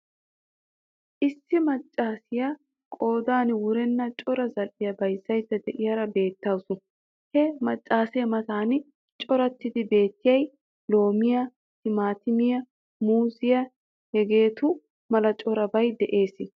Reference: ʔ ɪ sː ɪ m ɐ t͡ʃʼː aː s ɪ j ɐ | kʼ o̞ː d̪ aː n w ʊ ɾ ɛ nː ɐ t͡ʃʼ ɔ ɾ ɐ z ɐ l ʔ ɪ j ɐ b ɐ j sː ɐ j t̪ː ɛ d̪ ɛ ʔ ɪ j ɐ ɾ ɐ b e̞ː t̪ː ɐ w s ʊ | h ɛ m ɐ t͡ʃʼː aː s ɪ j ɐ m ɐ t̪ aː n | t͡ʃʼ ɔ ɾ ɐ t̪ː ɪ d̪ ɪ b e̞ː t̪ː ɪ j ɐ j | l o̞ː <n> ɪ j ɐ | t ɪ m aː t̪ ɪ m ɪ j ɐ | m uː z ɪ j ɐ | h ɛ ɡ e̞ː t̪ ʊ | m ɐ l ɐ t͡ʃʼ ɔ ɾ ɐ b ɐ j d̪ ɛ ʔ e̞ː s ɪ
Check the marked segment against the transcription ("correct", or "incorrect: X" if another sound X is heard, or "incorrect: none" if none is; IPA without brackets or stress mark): incorrect: m